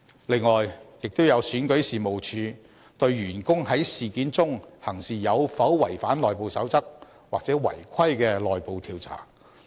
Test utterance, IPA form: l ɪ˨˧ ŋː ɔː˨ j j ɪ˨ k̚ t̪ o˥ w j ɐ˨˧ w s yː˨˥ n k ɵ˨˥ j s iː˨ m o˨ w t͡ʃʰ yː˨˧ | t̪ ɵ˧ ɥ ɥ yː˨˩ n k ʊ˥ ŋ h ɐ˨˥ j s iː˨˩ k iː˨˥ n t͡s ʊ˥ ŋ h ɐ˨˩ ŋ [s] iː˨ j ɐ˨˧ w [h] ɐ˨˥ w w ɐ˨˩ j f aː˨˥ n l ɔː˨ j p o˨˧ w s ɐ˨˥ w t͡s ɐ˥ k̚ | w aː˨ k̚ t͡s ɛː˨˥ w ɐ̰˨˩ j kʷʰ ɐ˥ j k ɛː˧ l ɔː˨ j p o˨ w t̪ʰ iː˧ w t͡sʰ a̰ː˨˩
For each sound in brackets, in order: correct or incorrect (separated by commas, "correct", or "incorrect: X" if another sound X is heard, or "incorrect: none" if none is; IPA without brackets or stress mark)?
correct, incorrect: f